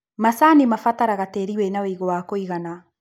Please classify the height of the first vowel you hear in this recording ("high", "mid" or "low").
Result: low